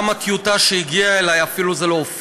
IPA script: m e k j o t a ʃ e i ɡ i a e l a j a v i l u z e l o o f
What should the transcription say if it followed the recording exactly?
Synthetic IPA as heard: m a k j u t a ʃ e i ɡ i a e l a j a f i l u z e l o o f